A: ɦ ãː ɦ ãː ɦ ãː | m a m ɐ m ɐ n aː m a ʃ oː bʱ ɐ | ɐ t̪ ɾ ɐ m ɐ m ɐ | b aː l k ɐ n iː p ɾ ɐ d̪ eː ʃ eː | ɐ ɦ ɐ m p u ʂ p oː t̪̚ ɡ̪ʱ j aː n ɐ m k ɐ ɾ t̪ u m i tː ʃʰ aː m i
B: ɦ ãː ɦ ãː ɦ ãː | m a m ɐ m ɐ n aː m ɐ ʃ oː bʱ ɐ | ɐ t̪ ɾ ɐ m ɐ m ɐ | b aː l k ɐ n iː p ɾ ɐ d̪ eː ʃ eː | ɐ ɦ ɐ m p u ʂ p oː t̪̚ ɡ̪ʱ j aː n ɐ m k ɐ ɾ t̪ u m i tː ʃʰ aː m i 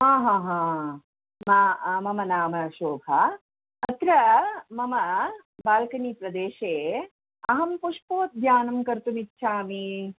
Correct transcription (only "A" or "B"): B